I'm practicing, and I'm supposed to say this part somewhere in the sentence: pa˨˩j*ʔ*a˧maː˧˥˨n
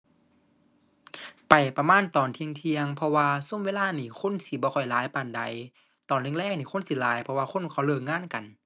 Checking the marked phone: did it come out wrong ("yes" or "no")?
yes